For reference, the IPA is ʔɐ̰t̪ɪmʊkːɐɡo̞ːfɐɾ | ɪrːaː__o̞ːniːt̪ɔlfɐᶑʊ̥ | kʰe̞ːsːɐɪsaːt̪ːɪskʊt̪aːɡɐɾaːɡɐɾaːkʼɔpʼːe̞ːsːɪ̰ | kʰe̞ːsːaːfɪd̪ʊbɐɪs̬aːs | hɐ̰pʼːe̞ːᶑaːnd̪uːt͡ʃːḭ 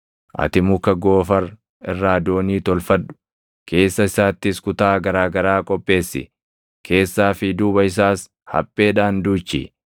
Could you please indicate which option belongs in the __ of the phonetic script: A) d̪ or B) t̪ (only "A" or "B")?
A